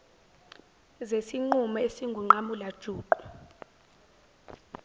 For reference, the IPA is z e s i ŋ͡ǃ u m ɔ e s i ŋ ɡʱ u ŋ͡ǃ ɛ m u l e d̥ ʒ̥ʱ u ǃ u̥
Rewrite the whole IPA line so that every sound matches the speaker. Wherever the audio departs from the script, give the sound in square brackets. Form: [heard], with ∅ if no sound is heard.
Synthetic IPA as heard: z e s i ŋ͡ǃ u m ɔ e s i ŋ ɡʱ u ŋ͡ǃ [a] m u l [a] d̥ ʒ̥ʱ [uː] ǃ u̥